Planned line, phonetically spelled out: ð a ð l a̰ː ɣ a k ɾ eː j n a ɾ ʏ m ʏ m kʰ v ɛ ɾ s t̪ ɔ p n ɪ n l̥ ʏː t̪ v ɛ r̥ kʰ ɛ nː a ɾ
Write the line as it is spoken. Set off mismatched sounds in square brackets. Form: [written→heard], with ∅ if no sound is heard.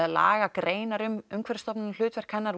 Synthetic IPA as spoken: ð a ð l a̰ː ɣ a k ɾ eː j n a ɾ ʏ m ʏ m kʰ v ɛ ɾ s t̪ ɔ p n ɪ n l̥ ʏː t̪ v ɛ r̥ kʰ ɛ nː a ɾ